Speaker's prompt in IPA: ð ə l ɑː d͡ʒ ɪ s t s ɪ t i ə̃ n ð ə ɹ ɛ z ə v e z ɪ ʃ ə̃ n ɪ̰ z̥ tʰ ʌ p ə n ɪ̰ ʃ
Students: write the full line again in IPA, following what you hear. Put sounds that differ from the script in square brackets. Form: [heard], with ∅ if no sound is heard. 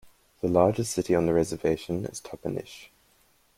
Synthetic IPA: ð ə l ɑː d͡ʒ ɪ s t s ɪ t i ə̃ n ð ə ɹ ɛ z ə v e [∅] ɪ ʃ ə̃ n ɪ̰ z̥ tʰ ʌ p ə n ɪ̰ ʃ